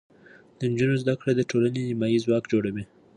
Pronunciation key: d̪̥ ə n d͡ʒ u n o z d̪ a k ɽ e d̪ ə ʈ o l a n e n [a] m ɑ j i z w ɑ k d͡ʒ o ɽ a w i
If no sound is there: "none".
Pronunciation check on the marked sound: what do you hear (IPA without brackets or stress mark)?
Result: i